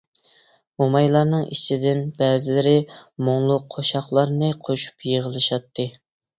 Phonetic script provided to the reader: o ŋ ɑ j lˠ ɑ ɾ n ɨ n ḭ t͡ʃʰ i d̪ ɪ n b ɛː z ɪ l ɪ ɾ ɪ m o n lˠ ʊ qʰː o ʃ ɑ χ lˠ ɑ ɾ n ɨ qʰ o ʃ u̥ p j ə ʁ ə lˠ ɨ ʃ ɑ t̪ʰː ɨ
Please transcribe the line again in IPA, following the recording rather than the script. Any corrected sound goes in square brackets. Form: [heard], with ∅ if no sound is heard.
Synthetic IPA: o [m] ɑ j lˠ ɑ ɾ n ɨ [ŋ] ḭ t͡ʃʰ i d̪ ɪ n b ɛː z ɪ l ɪ ɾ ɪ m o [ŋ] lˠ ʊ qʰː o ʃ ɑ χ lˠ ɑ ɾ n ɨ qʰ o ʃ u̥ p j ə ʁ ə lˠ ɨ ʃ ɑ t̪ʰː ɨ